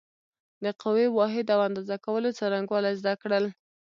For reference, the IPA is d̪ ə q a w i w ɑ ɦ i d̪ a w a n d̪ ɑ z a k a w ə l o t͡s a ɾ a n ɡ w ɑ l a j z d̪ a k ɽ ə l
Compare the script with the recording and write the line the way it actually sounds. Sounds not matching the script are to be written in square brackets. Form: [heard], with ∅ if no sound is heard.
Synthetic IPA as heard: d̪ ə q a w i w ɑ ɦ [ɪ] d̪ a w a n d̪ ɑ z a k a w ə l o t͡s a ɾ a [ŋ] ɡ w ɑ l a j z d̪ a k ɽ ə l